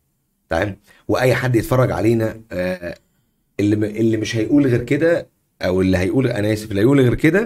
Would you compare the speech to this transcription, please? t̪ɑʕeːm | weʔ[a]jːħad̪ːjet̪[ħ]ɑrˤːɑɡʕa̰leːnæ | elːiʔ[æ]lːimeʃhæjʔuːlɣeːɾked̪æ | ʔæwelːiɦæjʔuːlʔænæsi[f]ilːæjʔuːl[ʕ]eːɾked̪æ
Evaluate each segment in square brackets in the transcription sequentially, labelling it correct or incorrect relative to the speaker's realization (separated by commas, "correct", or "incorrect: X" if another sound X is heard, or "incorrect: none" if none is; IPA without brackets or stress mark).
incorrect: æ, incorrect: f, incorrect: e, correct, incorrect: ɣ